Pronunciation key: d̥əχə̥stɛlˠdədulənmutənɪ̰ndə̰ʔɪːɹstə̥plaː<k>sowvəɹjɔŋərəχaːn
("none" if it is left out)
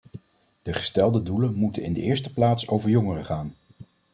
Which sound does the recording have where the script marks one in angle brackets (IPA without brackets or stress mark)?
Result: t